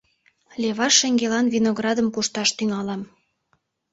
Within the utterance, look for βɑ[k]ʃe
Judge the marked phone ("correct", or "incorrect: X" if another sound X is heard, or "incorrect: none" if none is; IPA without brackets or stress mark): incorrect: none